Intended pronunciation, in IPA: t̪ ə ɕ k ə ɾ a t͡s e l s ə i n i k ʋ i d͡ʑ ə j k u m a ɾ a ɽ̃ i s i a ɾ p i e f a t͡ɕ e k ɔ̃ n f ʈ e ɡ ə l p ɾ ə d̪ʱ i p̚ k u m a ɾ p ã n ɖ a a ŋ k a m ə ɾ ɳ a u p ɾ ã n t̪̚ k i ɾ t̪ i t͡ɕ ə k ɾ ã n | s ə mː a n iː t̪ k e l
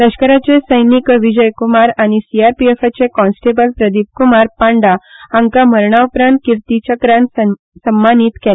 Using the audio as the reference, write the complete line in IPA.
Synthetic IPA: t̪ ə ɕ k ə ɾ a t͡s e s ə j n i k ʋ i d͡ʑ ə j k u m a ɾ a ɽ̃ i s i a ɾ p i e f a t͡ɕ e k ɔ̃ n s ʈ e b ə l p ɾ ə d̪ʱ i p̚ k u m a ɾ p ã ɳ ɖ a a ŋ k a m ə ɾ ɳ a u p ɾ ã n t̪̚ k i ɾ t̪ i t͡ɕ ə k ɾ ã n | s ə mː a n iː t̪ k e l

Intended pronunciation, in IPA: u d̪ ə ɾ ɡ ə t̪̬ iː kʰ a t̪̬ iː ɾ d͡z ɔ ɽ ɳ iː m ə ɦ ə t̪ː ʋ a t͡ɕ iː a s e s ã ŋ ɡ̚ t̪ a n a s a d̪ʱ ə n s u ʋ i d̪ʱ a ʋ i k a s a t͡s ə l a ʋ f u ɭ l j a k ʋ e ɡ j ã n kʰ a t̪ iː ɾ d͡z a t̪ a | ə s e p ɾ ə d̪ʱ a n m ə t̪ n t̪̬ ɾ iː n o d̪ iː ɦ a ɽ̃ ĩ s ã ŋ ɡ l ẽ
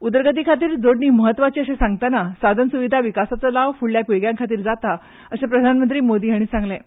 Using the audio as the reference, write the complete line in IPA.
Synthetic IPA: u d̪ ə ɾ ɡ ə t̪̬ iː kʰ a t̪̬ iː ɾ d͡z o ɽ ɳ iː m ə ɦ ə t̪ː ʋ a t͡ɕ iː ə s e s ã ŋ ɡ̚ t̪ a n a s a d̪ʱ ə n s u ʋ i d̪ʱ a ʋ i k a s a t͡s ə l a ʋ f u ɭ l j a k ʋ e ɡ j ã ŋ kʰ a t̪ iː ɾ d͡z a t̪ a | ə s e p ɾ ə d̪ʱ a n m ə n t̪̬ ɾ iː m o d̪ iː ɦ a ɽ̃ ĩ s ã ŋ ɡ l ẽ

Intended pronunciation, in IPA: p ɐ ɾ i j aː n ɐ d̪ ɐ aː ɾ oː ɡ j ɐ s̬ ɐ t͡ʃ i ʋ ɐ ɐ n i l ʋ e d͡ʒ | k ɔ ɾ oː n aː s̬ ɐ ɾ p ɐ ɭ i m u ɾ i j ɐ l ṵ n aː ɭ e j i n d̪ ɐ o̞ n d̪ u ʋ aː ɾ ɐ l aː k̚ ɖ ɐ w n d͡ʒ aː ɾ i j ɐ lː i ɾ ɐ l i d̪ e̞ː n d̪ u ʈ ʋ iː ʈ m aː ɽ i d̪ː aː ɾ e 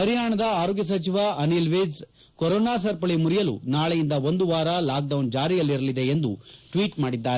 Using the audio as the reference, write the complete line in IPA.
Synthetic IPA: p ɐ ɾ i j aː ɳ ɐ d̪ ɐ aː ɾ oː ɡ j ɐ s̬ ɐ t͡ʃ i ʋ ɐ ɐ n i l ʋ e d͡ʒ | k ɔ ɾ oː n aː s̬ ɐ ɾ p ɐ ɭ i m u ɾ i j ɐ l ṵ n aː ɭ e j i n d̪ ɐ o̞ n d̪ u ʋ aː ɾ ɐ l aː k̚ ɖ ɐ w n d͡ʒ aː ɾ i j ɐ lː i ɾ ɐ l i d̪ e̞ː n d̪ u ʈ ʋ iː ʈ m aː ɽ i d̪ː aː ɾ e

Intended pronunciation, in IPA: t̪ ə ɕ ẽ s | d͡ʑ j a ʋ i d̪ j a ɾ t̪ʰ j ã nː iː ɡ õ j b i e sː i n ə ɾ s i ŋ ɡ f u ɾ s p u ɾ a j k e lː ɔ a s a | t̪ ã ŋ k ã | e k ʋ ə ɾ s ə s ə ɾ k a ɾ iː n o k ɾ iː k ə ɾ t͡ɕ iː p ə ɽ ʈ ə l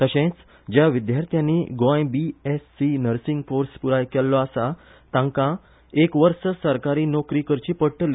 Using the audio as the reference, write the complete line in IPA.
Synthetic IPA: t̪ ə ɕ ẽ t͡s | d͡ʑ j a ʋ i d̪ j a ɾ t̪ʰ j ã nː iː ɡ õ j b i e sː i n ə ɾ s i ŋ ɡ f o ɾ s p u ɾ a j k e lː ɔ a s a | t̪ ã ŋ k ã | e k ʋ ə ɾ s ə s ə ɾ k a ɾ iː n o k ɾ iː k ə ɾ t͡ɕ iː p ə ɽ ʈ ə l

